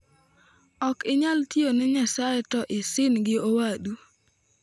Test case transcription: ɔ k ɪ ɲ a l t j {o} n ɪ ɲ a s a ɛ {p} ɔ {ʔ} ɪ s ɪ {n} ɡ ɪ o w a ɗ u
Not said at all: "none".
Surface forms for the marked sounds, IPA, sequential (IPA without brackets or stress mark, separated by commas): o, t, ʔ, n